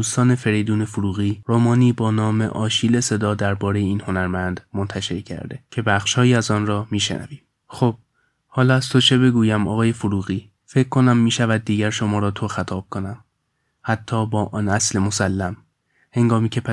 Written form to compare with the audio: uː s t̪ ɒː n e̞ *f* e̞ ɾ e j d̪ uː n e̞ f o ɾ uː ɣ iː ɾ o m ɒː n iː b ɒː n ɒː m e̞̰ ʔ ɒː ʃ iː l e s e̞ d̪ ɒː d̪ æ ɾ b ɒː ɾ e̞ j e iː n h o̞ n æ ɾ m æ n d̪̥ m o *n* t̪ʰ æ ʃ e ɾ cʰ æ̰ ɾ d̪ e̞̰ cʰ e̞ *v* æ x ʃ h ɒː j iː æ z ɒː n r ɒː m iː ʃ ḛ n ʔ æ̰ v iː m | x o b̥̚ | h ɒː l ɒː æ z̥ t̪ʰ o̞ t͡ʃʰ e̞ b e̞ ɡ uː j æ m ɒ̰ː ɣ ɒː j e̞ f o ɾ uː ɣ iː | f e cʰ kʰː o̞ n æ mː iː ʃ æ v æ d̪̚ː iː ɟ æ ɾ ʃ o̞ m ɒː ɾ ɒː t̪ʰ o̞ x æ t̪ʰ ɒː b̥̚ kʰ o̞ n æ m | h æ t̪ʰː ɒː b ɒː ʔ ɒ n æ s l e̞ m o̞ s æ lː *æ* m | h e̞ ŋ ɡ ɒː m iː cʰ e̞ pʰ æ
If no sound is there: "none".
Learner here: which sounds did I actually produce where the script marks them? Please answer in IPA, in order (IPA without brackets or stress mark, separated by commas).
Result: f, n, b, æ